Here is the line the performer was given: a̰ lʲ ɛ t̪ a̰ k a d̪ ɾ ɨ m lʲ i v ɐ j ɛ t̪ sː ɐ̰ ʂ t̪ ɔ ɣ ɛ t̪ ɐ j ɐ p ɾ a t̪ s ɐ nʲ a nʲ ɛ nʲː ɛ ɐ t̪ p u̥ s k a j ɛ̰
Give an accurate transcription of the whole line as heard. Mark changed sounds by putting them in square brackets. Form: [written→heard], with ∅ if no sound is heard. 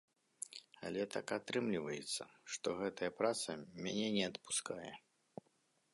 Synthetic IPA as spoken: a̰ lʲ ɛ t̪ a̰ k a [d̪→t̪] ɾ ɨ m lʲ i v ɐ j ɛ t̪ sː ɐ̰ ʂ t̪ ɔ ɣ ɛ t̪ ɐ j ɐ p ɾ a t̪ s ɐ [nʲ→mʲ] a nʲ ɛ [nʲː→nʲ] ɛ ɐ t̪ p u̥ s k a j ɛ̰